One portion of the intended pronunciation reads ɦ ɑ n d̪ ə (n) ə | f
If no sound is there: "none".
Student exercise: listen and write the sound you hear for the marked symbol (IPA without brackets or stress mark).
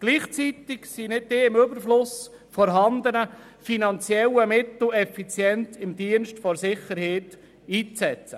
n